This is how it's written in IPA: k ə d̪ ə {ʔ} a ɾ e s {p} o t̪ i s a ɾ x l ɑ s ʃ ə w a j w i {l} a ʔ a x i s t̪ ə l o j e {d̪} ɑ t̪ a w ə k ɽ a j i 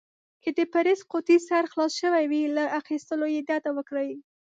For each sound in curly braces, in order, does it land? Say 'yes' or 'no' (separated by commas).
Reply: no, no, yes, yes